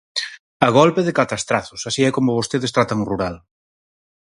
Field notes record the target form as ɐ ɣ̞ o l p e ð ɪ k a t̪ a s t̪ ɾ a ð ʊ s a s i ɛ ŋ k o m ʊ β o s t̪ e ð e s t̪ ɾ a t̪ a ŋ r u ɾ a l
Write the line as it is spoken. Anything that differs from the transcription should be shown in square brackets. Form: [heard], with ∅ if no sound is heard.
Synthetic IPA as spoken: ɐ ɣ̞ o l p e ð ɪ k a t̪ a s t̪ ɾ a [θ] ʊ s a s i ɛ [∅] k o m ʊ β o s t̪ e ð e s t̪ ɾ a t̪ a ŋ r u ɾ a l